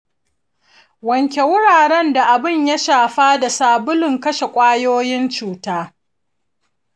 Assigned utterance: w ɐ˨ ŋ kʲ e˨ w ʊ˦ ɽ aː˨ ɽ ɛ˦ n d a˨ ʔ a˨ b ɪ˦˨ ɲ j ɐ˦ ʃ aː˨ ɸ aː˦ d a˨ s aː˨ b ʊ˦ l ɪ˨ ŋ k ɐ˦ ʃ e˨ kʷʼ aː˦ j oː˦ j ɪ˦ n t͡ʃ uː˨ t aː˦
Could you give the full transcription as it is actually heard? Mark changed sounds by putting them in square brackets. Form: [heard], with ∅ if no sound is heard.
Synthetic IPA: w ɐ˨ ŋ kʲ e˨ w ʊ˦ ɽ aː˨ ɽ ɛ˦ n d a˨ ʔ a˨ b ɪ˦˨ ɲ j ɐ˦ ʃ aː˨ ɸ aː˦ d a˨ s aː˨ b ʊ˦ l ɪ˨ ŋ k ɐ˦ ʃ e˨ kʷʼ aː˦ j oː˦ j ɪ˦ n t͡ʃ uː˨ t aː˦